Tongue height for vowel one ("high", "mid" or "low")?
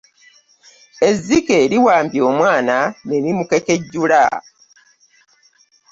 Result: mid